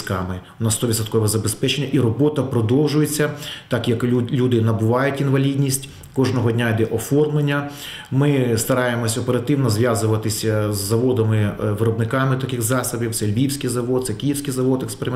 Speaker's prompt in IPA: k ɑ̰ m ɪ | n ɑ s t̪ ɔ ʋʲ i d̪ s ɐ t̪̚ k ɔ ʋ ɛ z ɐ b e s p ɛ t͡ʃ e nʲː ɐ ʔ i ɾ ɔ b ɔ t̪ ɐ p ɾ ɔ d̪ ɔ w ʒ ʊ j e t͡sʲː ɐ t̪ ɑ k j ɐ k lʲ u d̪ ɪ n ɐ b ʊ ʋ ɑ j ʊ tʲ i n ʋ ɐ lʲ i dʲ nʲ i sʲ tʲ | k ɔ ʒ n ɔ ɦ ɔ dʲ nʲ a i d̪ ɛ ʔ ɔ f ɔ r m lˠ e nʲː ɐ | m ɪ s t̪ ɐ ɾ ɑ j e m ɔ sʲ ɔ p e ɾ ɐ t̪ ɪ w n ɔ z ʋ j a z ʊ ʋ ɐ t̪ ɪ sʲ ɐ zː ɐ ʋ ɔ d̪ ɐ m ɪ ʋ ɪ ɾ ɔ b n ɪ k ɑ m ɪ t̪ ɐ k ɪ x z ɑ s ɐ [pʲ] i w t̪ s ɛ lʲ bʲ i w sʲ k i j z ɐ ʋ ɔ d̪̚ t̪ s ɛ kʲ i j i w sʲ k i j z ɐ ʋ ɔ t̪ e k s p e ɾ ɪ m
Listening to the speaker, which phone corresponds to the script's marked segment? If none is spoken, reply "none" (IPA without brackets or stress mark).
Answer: bʲ